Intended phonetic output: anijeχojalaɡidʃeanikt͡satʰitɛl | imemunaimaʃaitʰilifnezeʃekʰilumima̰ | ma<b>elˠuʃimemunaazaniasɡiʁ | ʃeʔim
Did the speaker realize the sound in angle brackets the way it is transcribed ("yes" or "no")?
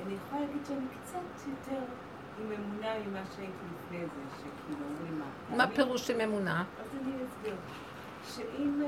no